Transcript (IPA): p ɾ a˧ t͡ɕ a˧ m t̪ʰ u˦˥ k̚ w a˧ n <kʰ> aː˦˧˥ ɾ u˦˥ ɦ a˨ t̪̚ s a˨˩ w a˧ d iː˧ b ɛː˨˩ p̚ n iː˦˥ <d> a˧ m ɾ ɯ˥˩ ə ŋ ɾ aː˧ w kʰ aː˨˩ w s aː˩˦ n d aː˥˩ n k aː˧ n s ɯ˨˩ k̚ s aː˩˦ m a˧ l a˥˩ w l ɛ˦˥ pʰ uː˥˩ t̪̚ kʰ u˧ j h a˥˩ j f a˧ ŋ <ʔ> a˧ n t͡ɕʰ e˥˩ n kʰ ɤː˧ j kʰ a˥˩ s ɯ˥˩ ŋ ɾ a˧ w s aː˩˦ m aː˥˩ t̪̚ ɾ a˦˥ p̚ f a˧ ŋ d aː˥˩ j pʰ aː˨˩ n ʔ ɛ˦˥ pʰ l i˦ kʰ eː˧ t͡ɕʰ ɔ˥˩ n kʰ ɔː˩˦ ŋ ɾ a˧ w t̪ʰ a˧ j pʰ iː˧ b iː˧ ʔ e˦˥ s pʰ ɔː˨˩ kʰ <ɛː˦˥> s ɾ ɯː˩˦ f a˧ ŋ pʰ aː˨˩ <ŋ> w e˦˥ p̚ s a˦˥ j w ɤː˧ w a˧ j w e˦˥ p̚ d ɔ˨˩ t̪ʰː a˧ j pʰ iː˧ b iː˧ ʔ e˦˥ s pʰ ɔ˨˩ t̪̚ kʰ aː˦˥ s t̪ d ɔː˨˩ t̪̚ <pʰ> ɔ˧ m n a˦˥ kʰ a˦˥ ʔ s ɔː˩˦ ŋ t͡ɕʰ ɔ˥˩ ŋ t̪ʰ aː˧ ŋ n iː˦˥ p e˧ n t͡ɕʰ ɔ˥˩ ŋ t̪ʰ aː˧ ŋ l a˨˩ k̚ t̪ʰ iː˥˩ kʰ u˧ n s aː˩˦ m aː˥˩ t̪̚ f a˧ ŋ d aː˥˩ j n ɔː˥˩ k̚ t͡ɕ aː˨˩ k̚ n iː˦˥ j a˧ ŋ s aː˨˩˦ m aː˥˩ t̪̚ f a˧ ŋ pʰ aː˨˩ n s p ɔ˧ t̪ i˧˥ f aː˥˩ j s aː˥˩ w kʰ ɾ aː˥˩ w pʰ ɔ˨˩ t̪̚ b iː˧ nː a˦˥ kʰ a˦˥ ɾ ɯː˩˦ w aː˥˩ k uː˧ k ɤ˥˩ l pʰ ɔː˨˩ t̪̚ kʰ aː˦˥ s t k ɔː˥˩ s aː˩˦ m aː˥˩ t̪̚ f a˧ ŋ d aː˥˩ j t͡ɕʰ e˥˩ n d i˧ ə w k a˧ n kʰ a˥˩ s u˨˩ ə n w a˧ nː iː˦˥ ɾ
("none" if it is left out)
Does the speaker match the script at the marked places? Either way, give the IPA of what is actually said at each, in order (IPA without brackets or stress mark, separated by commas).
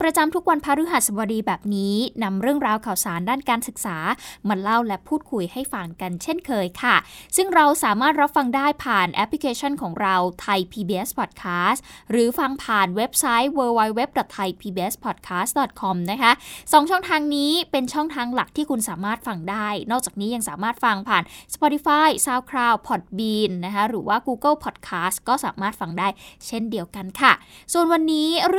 pʰ, n, k, aː˦˥, n, kʰ